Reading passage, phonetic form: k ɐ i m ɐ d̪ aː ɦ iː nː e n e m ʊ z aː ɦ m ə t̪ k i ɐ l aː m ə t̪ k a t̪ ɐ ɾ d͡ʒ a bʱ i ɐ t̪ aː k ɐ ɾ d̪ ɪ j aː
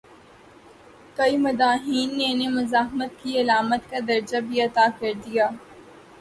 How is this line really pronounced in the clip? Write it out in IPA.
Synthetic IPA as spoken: k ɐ i m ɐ d̪ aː ɦ iː nː e n e m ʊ z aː ɦ m ə t̪ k i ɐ l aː m ə t̪ k a d̪ ɐ ɾ d͡ʒ a bʱ i ɐ t̪ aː k ɐ ɾ d̪ i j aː